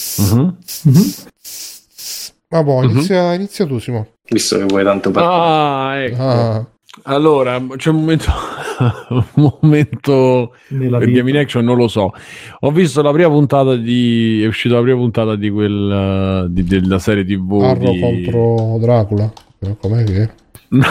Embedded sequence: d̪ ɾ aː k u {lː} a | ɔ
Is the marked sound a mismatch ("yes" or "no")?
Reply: yes